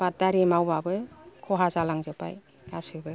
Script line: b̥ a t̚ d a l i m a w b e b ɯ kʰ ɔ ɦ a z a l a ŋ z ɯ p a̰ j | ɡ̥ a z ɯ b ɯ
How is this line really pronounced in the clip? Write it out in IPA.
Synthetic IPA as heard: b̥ a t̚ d a ɾ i m a w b a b ɯ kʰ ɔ ɦ a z a l a ŋ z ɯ p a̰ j | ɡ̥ a s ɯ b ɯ